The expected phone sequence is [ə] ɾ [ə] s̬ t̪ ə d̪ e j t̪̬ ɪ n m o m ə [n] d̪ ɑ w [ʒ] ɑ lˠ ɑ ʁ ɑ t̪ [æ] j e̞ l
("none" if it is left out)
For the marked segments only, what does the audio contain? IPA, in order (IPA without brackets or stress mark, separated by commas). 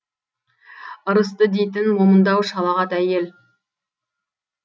ə, ə, n, ʃ, æ